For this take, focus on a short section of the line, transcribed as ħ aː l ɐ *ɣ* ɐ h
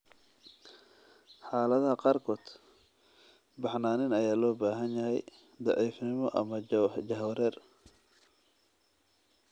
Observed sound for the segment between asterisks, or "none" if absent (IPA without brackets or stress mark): ð